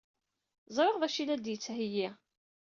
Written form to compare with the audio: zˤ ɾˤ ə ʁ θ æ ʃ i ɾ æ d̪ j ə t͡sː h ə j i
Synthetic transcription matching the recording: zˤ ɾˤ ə ʁ ð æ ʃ i l æ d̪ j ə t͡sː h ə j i